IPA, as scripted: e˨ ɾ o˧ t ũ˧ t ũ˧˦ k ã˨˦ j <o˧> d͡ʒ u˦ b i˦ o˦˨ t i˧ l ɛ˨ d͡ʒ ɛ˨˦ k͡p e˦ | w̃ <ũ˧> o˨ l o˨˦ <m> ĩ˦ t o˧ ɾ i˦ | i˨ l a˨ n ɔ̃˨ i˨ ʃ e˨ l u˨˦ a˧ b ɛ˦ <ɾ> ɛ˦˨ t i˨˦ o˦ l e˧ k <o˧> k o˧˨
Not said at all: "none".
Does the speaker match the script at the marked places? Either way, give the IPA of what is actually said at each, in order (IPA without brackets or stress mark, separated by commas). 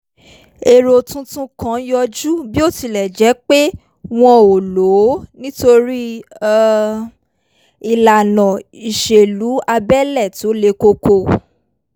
ɔ˧, ɔ̃˧, n, l, o˧